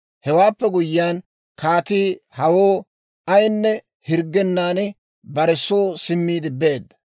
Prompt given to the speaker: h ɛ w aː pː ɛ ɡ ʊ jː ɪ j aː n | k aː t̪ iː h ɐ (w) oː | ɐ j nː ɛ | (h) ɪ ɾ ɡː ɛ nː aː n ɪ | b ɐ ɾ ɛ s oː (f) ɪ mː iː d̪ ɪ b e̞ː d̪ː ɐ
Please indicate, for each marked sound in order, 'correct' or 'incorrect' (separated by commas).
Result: correct, correct, incorrect